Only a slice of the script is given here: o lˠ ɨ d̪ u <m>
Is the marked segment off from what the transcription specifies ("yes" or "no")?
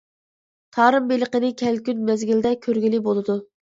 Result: yes